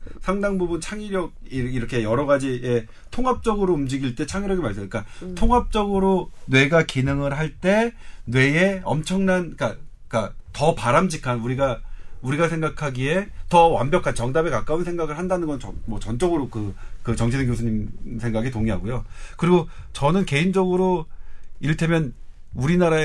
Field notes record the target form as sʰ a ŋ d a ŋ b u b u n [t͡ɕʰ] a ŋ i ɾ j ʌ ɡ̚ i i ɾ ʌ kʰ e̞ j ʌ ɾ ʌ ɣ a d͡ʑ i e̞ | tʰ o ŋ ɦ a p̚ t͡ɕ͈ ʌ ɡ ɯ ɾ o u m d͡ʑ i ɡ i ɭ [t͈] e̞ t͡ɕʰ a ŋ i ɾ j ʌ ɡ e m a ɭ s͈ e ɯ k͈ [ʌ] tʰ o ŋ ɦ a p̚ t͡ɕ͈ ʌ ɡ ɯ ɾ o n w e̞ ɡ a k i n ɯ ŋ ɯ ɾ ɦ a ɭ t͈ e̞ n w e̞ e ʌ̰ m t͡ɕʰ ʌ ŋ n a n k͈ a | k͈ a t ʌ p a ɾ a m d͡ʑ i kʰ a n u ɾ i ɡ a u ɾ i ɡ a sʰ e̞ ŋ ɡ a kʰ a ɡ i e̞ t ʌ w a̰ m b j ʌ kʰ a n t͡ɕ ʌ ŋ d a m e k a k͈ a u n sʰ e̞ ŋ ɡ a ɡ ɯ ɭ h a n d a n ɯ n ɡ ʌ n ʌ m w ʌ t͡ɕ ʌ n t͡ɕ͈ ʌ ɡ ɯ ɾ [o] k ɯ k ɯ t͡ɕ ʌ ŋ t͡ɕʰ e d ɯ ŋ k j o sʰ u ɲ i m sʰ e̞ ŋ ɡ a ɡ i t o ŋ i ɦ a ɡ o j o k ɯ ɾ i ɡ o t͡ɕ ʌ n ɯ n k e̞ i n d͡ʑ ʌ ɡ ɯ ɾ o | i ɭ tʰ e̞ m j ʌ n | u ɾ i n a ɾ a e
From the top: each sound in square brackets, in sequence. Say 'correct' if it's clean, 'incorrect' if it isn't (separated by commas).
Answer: correct, correct, incorrect, correct